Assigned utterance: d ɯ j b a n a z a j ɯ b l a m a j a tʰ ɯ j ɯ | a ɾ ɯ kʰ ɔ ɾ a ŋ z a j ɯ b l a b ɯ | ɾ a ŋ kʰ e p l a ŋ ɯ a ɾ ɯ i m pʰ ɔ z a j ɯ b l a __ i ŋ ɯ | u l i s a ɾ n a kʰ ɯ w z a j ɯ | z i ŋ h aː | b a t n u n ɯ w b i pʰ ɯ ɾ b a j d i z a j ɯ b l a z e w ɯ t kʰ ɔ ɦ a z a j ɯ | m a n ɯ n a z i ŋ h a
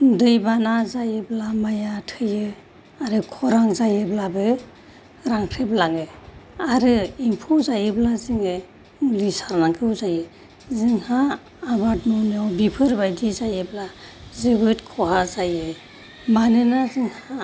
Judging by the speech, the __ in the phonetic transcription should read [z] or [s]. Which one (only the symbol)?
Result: z